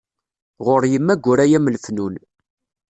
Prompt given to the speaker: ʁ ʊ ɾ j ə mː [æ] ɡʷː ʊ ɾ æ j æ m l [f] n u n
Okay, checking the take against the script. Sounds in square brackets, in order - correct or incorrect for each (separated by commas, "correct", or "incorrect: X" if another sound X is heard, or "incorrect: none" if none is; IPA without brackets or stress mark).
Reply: correct, correct